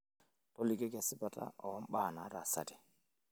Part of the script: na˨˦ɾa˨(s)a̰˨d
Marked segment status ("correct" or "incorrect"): correct